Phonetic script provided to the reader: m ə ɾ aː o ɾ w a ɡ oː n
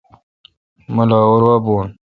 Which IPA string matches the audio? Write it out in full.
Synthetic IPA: m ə l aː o ɾ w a b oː n